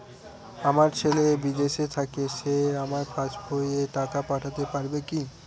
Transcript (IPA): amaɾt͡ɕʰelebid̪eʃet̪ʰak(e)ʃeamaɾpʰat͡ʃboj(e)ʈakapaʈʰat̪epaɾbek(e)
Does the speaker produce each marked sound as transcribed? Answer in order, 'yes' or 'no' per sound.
yes, yes, no

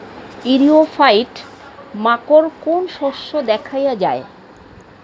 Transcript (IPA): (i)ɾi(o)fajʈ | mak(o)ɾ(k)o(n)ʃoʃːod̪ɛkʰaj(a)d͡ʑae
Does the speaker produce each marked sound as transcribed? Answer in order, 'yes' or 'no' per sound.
yes, yes, yes, yes, yes, yes

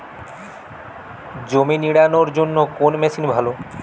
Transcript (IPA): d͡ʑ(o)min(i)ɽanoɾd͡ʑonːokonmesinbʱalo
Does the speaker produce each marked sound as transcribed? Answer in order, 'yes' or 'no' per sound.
yes, yes

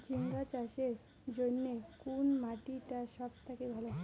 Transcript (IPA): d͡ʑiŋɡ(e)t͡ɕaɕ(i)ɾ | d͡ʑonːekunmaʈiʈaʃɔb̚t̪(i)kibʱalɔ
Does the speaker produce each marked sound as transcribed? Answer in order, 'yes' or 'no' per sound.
no, no, no

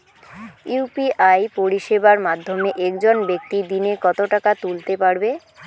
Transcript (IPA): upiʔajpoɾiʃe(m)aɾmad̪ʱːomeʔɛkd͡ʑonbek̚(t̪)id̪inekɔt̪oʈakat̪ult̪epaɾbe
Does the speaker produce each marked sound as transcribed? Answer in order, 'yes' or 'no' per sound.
no, yes

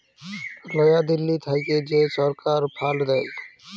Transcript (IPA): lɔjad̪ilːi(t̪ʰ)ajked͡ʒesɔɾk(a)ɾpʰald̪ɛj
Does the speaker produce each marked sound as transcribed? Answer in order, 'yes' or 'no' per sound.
yes, yes

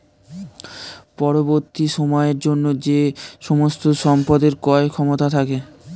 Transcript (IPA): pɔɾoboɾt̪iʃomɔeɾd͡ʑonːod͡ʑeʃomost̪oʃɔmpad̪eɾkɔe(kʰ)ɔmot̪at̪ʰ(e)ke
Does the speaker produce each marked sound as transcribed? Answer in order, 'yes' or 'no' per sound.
yes, no

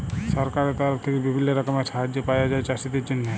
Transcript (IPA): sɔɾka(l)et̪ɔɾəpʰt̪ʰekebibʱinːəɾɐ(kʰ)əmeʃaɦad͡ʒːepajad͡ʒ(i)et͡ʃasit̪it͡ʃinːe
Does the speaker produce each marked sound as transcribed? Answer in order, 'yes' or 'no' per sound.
no, no, no

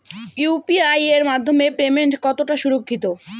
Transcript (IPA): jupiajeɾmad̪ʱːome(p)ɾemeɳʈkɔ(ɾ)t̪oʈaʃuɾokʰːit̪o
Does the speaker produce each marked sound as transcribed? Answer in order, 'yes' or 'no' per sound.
yes, no

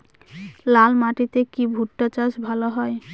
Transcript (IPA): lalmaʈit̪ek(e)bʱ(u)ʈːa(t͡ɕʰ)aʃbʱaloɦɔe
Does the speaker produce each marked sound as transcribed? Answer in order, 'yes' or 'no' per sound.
no, yes, no

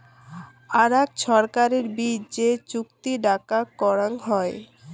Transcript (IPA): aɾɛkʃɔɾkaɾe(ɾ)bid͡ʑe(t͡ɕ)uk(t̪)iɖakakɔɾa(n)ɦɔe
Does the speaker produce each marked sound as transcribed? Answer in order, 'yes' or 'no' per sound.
yes, yes, yes, no

